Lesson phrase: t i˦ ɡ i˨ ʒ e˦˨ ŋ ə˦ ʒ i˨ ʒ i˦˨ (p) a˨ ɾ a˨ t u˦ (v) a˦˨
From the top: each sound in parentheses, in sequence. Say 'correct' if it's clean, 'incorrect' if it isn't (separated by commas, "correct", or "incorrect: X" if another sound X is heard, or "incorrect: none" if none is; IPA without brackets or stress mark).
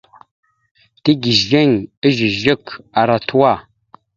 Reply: incorrect: k, incorrect: w